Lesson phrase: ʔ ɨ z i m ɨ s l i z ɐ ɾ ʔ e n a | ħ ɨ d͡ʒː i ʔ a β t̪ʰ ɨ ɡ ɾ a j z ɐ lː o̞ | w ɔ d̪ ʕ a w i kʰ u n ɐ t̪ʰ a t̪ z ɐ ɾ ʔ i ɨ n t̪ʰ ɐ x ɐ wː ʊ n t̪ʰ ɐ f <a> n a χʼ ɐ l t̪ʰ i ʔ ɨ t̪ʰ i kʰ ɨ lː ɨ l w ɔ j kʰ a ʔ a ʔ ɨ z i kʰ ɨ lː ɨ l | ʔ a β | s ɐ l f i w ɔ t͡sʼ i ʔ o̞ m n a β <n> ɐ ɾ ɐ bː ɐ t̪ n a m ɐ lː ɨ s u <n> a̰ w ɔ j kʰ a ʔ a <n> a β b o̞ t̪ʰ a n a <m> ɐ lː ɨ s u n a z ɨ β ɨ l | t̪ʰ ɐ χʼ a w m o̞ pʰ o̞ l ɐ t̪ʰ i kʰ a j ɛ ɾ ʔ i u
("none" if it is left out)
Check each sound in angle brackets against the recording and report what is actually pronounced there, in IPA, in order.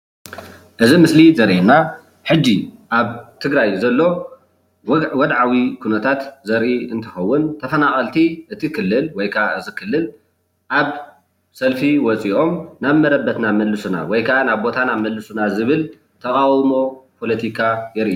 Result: ɐ, m, n, n, m

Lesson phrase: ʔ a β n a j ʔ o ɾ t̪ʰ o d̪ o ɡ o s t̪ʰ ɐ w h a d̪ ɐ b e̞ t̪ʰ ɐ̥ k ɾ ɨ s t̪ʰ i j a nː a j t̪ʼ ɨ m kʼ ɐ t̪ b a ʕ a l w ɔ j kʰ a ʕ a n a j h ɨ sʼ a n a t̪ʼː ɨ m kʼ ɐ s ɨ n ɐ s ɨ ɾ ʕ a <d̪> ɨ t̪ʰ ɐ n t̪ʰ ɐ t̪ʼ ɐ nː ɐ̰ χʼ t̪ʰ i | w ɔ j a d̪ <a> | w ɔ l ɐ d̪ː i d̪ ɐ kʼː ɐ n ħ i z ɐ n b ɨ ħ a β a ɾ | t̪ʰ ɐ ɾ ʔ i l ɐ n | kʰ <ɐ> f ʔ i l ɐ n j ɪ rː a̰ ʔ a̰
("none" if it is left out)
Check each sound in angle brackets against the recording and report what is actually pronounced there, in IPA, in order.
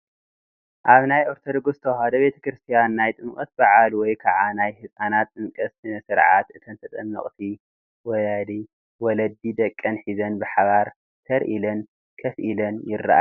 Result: t̪, i, ɐ

